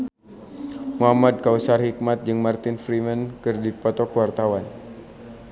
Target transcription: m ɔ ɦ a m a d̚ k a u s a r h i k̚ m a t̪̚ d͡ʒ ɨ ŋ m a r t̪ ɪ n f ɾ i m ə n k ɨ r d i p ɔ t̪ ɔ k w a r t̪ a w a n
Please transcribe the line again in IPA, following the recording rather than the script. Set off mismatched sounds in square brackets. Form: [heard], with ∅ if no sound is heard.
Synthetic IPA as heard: m [u] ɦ a m a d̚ k a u s a r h i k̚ m a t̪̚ d͡ʒ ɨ ŋ m a r t̪ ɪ n f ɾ i m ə n k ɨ r d i p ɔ t̪ ɔ k w a r t̪ a w a n